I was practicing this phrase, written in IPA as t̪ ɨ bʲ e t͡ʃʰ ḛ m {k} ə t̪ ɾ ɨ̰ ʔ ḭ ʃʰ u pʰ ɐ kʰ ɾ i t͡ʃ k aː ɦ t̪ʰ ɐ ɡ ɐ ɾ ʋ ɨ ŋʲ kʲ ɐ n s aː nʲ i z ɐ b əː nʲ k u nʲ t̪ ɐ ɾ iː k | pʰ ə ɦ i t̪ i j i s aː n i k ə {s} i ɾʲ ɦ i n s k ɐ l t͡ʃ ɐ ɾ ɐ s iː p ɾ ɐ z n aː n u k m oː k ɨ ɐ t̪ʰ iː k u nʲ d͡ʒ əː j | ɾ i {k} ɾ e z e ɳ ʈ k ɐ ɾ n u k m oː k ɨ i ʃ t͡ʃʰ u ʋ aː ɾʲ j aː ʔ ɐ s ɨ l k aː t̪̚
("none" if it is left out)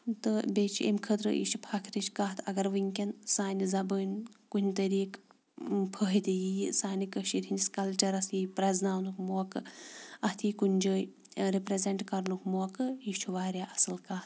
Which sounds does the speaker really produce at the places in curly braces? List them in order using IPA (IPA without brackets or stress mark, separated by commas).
kʰ, ʃ, p